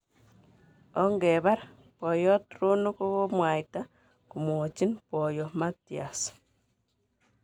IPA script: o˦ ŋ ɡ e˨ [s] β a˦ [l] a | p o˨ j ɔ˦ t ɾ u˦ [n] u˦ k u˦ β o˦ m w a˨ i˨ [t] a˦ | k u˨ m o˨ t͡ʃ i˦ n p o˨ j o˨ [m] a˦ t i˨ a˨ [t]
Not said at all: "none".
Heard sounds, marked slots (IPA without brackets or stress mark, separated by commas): none, ɾ, n, t, m, s